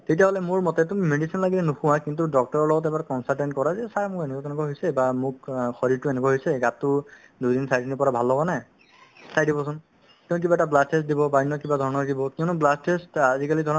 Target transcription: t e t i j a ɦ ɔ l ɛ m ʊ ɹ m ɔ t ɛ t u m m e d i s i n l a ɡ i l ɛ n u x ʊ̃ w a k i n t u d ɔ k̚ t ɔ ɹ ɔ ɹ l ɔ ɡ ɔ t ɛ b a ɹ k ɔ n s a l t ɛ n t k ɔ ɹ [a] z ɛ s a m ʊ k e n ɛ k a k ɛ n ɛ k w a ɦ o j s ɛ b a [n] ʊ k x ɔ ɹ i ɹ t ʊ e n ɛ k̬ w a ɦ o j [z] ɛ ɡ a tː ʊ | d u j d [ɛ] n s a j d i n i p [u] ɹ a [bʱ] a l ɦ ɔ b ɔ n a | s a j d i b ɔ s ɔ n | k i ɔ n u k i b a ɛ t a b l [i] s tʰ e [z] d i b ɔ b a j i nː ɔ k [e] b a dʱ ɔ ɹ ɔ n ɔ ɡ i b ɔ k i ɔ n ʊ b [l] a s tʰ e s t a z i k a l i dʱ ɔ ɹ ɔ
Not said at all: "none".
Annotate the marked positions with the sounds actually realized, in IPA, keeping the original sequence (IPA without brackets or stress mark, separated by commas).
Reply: a, m, s, i, ɔ, bʱ, a, s, i, l